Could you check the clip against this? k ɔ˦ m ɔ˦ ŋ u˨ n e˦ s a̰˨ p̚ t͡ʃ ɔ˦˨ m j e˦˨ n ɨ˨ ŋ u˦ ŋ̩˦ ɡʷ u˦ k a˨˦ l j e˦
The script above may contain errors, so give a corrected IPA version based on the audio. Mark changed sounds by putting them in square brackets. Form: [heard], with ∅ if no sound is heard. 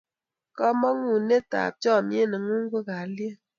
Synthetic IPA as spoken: k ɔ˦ m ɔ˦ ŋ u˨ n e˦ [t] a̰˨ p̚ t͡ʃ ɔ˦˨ m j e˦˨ n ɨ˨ ŋ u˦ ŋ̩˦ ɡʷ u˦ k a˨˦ l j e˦